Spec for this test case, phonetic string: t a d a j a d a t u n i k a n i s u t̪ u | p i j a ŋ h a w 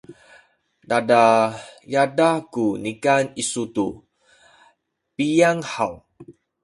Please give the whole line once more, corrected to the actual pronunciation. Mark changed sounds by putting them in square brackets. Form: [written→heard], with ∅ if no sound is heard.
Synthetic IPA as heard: [t→d] a d a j a d a [t→k] u n i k a n i s u t̪ u | p i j a ŋ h a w